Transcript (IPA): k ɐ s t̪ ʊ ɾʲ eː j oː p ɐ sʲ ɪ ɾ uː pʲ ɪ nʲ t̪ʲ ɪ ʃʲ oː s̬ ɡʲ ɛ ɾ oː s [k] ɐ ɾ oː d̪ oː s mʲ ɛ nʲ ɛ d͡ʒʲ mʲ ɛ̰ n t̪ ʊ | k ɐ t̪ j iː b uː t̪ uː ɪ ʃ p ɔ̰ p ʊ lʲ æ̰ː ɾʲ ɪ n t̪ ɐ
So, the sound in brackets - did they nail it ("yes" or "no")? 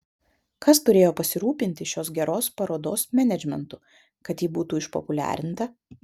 no